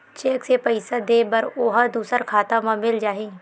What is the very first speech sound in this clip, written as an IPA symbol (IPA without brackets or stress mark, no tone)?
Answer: t͡ʃ